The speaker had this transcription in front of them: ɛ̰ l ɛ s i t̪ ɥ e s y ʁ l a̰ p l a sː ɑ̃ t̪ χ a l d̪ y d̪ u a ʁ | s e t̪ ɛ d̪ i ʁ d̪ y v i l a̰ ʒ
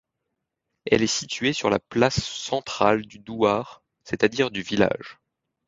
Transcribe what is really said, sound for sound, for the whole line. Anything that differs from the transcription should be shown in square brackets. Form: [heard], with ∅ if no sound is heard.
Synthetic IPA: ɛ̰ l ɛ s i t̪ ɥ e s y ʁ l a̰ p l a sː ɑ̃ t̪ χ a l d̪ y d̪ u a ʁ | s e t̪ [a] d̪ i ʁ d̪ y v i l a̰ ʒ